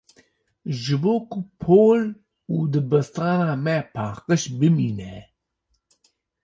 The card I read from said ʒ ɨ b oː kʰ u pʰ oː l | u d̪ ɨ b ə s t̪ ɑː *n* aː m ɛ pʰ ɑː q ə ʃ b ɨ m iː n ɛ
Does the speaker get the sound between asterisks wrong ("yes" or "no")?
no